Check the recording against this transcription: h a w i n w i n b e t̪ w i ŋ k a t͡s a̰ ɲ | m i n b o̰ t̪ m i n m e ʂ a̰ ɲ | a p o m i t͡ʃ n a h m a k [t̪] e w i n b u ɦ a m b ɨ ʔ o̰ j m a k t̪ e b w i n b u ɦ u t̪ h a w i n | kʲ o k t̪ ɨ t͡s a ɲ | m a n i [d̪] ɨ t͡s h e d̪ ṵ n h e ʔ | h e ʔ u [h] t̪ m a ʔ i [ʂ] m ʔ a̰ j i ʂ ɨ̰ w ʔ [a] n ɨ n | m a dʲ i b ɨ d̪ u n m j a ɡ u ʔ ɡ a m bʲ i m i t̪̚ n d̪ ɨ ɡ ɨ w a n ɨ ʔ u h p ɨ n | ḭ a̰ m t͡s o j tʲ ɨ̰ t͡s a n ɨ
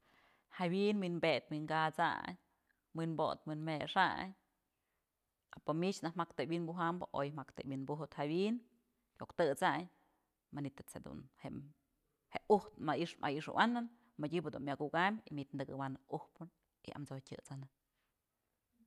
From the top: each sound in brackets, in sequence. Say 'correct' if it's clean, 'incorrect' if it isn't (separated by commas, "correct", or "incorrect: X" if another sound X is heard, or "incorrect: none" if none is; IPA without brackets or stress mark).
correct, incorrect: t̪, correct, correct, correct